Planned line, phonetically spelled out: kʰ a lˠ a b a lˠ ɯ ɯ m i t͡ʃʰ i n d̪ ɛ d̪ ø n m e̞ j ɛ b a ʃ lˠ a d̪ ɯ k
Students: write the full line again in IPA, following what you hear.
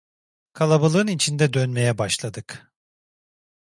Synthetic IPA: kʰ a lˠ a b a lˠ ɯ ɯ n i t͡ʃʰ i n d̪ ɛ d̪ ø n m e̞ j ɛ b a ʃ lˠ a d̪ ɯ k